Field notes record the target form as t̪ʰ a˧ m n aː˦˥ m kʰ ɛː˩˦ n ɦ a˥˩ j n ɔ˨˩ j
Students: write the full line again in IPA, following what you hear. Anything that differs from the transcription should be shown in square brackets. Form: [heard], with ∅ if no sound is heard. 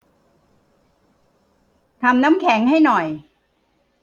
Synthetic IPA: t̪ʰ a˧ m n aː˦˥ m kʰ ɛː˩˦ [ŋ] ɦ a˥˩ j n ɔ˨˩ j